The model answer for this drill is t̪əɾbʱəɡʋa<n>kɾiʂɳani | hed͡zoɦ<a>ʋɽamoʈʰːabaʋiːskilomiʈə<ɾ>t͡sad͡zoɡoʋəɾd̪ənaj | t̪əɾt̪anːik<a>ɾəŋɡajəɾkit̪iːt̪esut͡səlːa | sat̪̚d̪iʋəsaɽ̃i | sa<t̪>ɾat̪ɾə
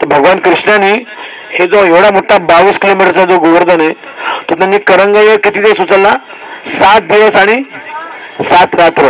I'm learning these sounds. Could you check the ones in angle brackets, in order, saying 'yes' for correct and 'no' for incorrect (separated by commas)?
yes, no, yes, no, yes